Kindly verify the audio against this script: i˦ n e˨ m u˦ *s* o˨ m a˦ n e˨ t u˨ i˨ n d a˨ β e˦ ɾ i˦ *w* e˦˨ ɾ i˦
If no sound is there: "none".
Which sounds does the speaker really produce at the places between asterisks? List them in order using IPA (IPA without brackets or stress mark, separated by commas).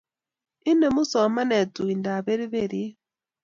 s, β